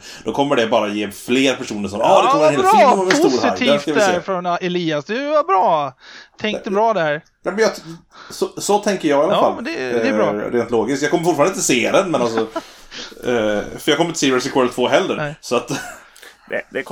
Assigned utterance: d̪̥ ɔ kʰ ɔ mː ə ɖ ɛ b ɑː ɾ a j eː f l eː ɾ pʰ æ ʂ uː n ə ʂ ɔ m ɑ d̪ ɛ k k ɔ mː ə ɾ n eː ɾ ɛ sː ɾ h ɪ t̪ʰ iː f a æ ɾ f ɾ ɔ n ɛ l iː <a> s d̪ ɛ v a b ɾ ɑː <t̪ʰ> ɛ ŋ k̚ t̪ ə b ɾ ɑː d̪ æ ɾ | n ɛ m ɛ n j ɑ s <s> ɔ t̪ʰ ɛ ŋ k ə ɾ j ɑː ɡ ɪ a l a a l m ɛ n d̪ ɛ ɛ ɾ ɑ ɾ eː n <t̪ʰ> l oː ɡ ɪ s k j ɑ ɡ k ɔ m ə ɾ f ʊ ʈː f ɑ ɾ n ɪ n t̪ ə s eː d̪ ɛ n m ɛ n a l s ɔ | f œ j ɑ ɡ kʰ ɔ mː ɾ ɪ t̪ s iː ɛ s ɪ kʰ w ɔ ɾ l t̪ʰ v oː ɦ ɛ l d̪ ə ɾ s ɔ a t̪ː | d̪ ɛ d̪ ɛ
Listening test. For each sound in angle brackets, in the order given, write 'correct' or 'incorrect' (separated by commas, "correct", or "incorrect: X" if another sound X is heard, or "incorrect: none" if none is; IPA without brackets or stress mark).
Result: correct, correct, correct, incorrect: t̪